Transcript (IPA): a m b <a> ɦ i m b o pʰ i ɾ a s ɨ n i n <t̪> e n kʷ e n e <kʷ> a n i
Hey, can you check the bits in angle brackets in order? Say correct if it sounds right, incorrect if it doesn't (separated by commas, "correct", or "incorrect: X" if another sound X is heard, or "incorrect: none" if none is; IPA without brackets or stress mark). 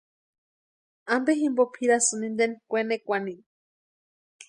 incorrect: e, incorrect: d̪, correct